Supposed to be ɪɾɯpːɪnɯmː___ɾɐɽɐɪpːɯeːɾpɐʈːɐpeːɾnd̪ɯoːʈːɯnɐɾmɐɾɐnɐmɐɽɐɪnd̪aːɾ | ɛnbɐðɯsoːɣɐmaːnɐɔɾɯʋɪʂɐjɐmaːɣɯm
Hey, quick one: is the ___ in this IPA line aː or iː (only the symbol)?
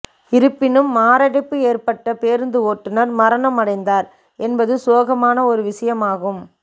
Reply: aː